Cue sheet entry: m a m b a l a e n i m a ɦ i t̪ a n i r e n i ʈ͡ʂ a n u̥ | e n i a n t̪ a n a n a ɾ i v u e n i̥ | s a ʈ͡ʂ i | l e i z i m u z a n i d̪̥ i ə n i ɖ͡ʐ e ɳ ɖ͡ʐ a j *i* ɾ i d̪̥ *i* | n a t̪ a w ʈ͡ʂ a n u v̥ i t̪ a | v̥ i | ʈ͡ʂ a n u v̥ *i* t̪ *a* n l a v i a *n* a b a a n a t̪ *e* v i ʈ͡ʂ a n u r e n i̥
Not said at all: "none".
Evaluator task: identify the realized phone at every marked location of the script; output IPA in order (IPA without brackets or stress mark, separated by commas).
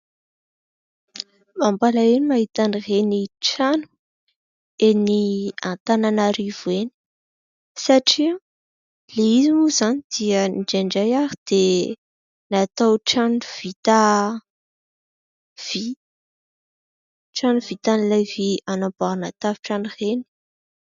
a, e, i, a, n, a